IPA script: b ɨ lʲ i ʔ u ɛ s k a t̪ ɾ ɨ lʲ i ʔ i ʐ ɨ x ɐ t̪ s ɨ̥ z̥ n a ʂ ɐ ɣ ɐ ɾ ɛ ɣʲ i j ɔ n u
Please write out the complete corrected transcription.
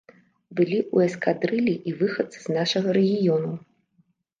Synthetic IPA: b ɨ lʲ i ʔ u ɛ s k a d̪ ɾ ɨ lʲ i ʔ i v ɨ x ɐ t̪ s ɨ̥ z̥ n a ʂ ɐ ɣ ɐ ɾ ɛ ɣʲ i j ɔ n u